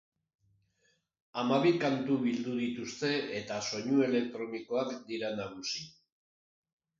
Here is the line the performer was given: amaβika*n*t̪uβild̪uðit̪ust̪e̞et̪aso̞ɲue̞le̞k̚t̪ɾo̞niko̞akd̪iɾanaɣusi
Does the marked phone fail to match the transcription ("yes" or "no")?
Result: no